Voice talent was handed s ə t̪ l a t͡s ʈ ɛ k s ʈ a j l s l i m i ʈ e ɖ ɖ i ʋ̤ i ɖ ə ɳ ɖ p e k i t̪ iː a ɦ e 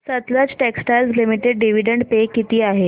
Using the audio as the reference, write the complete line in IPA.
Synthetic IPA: s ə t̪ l a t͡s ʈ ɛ k s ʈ a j l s l i m i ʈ e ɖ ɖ i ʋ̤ i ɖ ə ɳ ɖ p e k i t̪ iː a ɦ e